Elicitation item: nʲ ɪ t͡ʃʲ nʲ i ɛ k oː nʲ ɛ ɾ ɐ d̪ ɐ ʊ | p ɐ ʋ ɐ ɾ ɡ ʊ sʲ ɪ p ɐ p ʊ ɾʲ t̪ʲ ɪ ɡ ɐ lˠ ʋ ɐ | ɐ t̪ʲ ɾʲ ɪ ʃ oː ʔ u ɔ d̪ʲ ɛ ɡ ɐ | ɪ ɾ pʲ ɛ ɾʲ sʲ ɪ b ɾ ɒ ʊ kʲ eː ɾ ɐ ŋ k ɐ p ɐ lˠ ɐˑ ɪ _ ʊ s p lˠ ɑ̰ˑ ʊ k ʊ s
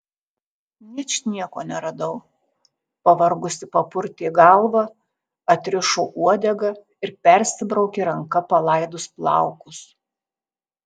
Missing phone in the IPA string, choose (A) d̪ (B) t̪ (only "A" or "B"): A